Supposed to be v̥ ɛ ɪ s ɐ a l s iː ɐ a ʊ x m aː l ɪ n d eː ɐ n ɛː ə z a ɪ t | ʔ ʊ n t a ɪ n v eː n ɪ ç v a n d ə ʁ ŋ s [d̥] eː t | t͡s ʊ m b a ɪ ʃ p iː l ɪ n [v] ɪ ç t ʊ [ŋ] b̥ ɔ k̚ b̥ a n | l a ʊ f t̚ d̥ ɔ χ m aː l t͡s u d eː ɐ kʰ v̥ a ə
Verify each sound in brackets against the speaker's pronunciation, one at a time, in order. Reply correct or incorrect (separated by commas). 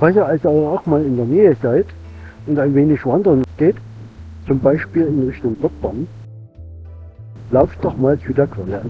incorrect, incorrect, correct